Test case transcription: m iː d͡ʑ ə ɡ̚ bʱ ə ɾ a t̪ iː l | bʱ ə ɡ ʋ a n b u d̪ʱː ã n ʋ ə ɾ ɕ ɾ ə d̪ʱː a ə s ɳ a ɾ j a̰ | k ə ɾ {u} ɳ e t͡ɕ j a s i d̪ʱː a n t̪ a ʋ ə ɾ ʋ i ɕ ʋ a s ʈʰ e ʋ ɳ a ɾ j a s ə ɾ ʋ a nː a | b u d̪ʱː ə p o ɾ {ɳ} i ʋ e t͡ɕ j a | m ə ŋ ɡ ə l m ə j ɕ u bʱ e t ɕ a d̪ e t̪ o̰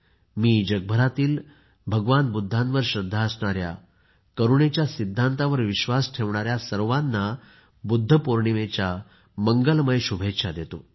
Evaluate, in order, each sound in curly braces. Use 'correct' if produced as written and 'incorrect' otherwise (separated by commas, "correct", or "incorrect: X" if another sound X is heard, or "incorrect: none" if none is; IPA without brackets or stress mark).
correct, correct